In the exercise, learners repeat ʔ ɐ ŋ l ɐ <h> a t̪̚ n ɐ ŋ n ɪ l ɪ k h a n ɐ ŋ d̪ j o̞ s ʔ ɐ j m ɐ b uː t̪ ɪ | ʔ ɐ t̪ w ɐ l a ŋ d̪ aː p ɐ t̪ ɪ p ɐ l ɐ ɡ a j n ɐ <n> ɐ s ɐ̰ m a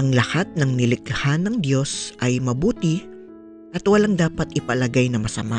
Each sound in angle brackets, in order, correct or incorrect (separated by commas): correct, incorrect